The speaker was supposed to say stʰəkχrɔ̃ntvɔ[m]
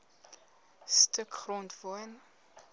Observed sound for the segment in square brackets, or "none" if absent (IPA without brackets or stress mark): n